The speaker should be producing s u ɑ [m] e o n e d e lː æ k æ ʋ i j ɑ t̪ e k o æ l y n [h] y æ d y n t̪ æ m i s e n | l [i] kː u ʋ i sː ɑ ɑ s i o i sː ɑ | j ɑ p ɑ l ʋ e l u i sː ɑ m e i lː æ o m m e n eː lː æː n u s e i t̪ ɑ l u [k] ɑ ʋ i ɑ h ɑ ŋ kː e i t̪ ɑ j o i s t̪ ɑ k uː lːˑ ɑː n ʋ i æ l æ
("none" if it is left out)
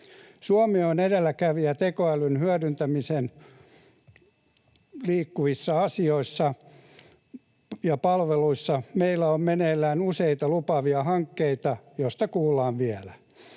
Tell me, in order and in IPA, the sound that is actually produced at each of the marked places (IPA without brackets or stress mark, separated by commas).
m, h, iː, p